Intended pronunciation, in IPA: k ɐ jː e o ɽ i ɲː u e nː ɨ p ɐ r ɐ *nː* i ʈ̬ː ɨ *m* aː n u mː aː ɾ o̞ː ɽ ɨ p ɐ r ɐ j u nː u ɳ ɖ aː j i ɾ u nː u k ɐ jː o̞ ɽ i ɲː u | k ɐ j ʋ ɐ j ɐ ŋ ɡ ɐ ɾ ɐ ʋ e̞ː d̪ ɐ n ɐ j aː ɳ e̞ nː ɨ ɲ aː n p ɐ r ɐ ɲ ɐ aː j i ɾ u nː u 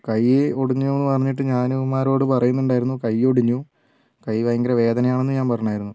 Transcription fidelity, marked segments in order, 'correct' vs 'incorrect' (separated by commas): incorrect, incorrect